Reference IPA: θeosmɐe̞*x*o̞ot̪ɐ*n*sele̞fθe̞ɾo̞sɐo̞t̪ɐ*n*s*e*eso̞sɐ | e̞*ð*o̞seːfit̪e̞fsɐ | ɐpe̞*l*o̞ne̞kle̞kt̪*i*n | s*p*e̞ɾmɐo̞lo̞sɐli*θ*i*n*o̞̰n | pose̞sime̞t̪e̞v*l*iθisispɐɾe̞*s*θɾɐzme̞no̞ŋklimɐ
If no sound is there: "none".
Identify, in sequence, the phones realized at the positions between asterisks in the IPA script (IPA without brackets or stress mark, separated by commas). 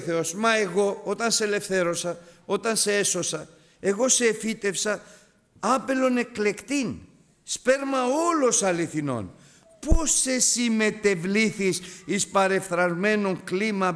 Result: ɣ, n, n, e, ɣ, l, i, p, θ, n, l, f